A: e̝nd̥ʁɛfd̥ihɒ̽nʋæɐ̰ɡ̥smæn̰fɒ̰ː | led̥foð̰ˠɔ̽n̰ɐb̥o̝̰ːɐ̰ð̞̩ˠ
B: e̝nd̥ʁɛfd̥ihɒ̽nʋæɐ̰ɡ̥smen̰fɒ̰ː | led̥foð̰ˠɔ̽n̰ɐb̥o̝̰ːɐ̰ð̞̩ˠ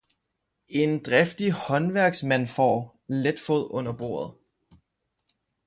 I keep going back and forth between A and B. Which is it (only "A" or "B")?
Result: A